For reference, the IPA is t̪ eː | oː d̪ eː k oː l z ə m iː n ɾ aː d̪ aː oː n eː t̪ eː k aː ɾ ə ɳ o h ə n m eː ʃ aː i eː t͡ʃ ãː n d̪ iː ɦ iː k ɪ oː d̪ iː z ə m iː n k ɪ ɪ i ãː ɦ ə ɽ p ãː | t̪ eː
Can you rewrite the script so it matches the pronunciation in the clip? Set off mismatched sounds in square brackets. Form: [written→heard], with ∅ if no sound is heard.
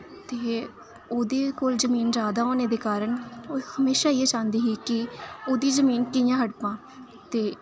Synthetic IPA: t̪ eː | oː d̪ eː k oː l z ə m iː n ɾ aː d̪ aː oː n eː [t̪→d̪] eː k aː ɾ ə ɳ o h ə [n→∅] m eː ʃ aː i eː t͡ʃ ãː n d̪ iː ɦ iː k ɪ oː d̪ iː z ə m iː n k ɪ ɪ [i→j] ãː ɦ ə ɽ p ãː | t̪ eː